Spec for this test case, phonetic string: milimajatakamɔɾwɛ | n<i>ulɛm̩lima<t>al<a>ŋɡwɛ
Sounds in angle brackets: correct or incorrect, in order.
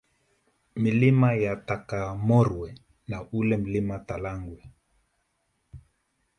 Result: incorrect, correct, correct

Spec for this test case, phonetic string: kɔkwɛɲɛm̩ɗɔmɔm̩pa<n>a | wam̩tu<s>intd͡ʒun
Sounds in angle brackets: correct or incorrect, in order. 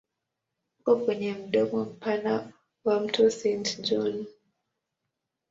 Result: correct, correct

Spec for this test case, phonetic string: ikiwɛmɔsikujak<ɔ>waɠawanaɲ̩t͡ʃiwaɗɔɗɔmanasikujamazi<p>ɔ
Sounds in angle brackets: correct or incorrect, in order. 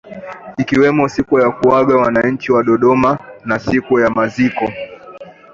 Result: incorrect, incorrect

